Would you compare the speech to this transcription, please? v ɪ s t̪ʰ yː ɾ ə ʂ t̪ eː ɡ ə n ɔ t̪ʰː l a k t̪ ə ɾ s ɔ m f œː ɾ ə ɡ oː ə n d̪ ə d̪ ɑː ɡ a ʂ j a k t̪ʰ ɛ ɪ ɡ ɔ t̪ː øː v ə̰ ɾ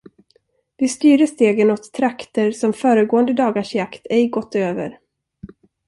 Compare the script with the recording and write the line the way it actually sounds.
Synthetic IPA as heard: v ɪ s t̪ yː ɾ ə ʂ t̪ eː ɡ ə n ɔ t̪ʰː ɾ a k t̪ ə ɾ s ɔ m f œː ɾ ə ɡ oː ə n d̪ ə d̪ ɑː ɡ a ʂ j a k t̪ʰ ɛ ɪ ɡ ɔ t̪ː øː v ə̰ ɾ